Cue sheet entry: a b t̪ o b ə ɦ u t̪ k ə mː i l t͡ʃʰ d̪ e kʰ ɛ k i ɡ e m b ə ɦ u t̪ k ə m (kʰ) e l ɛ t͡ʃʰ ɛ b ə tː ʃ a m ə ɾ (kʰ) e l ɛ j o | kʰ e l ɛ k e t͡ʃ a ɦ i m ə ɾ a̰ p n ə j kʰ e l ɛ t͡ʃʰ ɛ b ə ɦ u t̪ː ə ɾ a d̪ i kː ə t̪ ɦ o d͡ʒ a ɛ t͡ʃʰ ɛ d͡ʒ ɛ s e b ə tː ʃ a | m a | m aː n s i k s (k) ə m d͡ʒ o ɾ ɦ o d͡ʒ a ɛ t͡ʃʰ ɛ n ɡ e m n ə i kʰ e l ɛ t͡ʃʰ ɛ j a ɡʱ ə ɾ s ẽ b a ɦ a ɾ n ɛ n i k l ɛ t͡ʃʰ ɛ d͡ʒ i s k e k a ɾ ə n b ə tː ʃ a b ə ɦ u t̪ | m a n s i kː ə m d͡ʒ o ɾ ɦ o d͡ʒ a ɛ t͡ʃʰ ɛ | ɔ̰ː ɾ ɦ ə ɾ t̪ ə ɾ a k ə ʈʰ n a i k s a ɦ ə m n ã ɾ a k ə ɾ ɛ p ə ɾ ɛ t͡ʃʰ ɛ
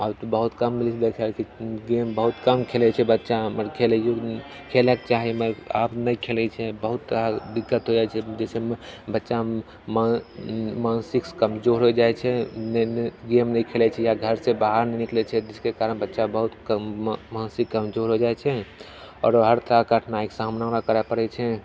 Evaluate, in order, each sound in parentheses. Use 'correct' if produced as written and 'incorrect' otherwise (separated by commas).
correct, correct, correct